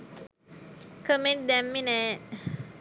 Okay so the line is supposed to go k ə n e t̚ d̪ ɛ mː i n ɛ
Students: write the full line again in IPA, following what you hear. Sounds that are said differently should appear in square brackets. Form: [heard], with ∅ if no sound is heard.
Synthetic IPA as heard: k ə [m] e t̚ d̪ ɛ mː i n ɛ

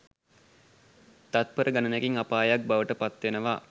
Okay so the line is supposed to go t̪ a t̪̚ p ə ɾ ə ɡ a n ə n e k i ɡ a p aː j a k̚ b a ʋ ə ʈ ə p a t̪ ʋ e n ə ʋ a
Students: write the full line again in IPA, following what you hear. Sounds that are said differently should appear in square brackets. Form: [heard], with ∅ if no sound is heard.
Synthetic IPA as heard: t̪ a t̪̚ p ə ɾ ə ɡ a n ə n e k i [ŋ] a p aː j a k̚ b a ʋ ə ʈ ə p a t̪ ʋ e n ə ʋ a

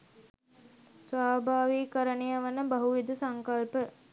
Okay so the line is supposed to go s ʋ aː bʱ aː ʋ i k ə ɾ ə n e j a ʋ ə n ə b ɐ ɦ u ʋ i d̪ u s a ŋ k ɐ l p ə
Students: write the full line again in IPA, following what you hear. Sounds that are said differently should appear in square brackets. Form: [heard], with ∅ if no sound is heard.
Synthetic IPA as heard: s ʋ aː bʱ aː ʋ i k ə ɾ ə n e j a ʋ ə n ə b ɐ ɦ u ʋ i d̪ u s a ŋ k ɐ l p ə

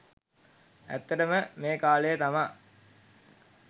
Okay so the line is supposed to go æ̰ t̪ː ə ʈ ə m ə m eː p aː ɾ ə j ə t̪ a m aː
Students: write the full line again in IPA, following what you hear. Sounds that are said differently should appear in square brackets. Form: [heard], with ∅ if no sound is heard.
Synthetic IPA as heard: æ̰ t̪ː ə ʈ ə m ə m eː [k] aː [l] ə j ə t̪ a m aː

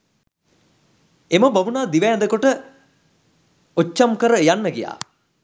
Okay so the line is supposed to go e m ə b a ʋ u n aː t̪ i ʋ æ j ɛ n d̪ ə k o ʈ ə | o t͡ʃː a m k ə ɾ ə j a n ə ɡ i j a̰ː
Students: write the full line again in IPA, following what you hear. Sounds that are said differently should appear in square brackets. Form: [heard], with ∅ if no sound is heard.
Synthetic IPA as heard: e m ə b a ʋ u n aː [d̪] i ʋ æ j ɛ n d̪ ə k o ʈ ə | o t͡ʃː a m k ə ɾ ə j a [nː] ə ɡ i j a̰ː

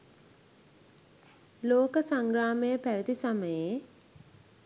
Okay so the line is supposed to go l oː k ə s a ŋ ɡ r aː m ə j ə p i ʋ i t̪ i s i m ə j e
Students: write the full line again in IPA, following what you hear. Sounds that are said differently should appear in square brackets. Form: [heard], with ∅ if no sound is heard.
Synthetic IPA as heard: l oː k ə s a ŋ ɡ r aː m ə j ə p [æ] ʋ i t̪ i s [a] m ə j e

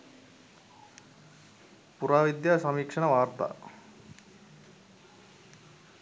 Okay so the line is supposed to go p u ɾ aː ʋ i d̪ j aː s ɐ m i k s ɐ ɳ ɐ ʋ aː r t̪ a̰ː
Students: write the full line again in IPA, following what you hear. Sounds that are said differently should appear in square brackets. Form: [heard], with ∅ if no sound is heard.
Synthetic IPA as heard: p u ɾ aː ʋ i d̪ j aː s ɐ m i k [ʂ] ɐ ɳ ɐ ʋ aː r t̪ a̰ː

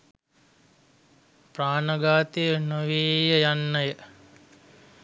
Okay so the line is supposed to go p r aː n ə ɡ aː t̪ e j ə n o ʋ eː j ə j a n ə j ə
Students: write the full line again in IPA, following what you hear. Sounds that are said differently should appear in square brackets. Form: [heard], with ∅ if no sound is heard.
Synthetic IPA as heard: p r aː n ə ɡ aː t̪ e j ə n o ʋ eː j ə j a [nː] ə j ə

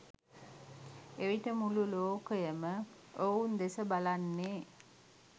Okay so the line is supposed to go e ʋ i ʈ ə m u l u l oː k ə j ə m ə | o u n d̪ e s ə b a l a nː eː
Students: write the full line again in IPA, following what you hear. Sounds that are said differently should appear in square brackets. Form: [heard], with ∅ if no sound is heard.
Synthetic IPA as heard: e ʋ i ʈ ə m u l u l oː k ə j ə m ə | o u n d̪ e s ə b a l a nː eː

